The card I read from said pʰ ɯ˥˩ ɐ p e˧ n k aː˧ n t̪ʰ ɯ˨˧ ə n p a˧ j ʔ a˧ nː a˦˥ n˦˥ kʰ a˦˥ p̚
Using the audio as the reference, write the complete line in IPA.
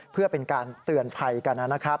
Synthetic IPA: pʰ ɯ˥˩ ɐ p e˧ n k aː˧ n t̪ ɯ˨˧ ə n pʰ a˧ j k a˧ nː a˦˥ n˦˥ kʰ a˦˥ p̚